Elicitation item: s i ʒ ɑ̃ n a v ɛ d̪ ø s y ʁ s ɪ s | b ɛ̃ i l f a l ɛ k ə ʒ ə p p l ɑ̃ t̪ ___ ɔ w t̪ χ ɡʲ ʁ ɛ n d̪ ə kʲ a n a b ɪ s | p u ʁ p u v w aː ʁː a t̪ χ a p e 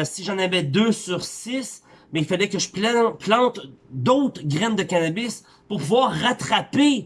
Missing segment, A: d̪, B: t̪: A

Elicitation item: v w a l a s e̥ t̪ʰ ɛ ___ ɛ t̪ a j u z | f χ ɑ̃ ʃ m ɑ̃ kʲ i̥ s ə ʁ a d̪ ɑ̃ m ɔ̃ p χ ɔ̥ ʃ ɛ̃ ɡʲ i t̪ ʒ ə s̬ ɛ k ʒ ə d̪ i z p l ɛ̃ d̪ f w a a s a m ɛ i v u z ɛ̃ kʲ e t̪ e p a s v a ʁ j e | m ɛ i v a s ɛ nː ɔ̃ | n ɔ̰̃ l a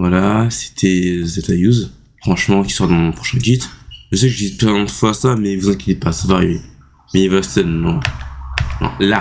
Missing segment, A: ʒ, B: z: B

